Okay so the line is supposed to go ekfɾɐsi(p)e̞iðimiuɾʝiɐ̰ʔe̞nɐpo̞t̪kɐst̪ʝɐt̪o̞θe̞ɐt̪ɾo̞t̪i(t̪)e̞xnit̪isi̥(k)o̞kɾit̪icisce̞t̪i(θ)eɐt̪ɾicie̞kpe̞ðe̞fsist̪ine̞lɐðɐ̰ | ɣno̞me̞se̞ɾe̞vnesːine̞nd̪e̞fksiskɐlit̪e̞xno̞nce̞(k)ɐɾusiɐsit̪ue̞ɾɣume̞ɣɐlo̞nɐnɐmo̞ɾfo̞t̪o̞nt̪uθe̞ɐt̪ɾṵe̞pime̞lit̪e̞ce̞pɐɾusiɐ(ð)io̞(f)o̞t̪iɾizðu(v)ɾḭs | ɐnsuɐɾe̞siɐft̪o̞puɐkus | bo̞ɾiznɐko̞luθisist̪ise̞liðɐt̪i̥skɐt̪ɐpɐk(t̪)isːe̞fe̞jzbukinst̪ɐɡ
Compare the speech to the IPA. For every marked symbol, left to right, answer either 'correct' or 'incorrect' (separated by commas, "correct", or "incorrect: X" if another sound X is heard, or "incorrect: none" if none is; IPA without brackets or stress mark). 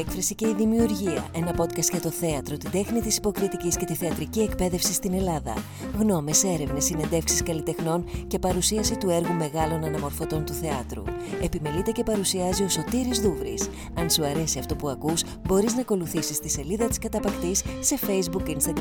incorrect: c, incorrect: d̪, incorrect: p, correct, incorrect: p, incorrect: z, incorrect: s, correct, correct